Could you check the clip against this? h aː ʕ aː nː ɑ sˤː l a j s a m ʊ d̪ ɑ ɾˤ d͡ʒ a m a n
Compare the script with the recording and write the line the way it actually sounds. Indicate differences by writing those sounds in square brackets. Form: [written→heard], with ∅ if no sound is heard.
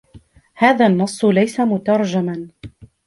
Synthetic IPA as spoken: h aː [ʕ→ð] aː nː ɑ sˤː l a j s a m ʊ [d̪→t̪] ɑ ɾˤ d͡ʒ a m a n